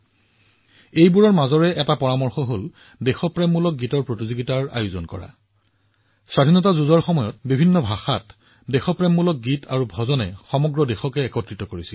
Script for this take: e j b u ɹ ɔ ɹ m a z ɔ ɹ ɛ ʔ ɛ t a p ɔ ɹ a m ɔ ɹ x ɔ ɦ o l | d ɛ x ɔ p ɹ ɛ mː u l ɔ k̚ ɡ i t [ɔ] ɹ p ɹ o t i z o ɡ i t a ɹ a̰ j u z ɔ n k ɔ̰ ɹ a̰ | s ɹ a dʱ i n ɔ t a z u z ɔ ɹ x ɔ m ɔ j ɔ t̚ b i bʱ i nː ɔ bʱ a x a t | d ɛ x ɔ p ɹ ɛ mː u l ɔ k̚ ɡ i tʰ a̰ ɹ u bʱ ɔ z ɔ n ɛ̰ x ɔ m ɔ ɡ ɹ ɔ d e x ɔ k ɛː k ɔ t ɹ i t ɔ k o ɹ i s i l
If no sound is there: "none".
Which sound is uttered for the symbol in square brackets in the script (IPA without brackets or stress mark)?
ɔ